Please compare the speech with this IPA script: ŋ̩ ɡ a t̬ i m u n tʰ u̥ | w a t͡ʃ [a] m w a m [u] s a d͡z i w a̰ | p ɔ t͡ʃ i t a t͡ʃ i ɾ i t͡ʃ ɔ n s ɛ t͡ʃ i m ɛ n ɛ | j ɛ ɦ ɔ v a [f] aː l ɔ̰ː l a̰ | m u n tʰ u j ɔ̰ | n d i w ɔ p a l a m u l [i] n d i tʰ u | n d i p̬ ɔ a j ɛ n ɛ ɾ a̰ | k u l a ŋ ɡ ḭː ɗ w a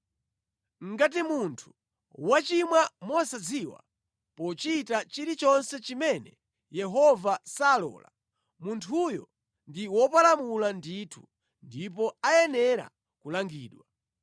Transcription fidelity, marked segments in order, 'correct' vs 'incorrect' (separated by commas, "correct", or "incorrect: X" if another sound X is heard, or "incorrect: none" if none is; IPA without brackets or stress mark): incorrect: i, incorrect: ɔ, incorrect: s, incorrect: a